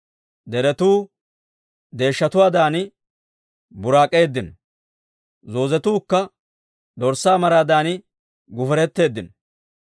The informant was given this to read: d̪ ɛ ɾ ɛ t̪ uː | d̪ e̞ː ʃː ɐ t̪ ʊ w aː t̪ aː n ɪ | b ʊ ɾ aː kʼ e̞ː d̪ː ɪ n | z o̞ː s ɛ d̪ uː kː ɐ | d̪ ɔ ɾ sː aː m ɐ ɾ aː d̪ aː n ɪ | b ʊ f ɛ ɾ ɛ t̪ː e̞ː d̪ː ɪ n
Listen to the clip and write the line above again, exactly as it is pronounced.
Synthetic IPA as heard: d̪ ɛ ɾ ɛ t̪ uː | d̪ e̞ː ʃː ɐ t̪ ʊ w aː d̪ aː n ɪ | b ʊ ɾ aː kʼ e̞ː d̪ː ɪ n | z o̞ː z ɛ t̪ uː kː ɐ | d̪ ɔ ɾ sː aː m ɐ ɾ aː d̪ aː n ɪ | ɡ ʊ f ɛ ɾ ɛ t̪ː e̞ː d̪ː ɪ n